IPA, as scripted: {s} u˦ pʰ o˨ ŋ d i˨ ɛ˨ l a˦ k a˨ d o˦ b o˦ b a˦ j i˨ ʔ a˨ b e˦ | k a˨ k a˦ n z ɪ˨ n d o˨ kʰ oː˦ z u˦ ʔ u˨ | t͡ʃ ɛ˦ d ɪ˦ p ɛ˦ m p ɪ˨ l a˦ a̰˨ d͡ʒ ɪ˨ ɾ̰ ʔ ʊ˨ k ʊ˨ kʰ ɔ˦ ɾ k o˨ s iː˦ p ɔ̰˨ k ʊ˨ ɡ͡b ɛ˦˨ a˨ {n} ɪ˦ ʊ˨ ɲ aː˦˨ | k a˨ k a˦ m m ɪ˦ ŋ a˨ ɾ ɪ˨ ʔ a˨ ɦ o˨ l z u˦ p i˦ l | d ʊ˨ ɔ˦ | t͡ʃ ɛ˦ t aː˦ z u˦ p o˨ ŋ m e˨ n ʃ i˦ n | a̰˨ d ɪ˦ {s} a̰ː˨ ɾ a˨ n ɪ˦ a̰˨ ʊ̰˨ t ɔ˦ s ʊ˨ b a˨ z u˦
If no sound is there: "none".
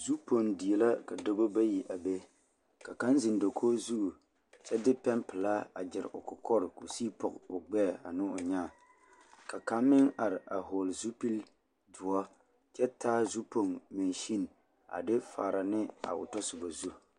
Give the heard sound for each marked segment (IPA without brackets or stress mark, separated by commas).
z, n, f